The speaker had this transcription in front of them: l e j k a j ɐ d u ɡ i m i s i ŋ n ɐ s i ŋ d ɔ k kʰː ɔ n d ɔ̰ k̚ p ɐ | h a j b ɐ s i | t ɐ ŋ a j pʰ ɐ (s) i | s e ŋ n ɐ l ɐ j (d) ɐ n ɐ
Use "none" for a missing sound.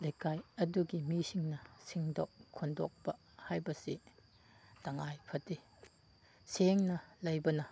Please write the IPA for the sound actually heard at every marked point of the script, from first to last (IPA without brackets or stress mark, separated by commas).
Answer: t, b